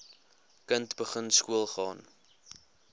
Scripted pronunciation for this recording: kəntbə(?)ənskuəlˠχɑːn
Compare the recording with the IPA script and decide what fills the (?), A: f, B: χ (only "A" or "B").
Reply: B